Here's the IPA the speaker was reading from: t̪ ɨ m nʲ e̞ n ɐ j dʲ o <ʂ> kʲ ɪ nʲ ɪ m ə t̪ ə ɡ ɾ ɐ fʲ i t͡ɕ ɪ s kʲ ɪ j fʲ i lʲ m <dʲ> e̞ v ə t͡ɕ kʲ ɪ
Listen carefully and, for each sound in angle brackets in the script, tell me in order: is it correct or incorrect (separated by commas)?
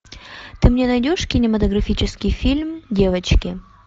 correct, correct